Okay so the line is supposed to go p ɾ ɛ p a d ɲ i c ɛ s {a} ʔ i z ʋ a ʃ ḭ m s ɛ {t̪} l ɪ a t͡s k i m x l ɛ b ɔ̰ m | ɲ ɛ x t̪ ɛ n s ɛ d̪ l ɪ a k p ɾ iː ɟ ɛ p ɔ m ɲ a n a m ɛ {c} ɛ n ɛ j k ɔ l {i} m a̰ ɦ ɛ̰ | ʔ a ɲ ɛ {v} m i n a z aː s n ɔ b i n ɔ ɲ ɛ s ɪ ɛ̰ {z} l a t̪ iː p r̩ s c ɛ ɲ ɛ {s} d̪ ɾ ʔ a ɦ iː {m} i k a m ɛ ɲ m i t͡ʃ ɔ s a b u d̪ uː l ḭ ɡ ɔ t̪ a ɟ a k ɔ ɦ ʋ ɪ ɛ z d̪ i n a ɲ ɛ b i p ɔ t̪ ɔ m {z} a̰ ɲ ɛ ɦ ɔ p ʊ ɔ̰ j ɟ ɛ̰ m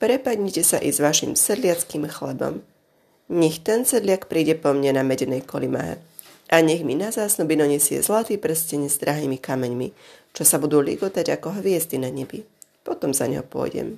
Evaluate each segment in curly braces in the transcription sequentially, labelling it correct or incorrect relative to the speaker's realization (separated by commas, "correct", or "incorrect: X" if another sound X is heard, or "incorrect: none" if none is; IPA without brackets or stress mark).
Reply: correct, incorrect: d̪, incorrect: ɟ, correct, incorrect: ɣ, correct, incorrect: z, correct, correct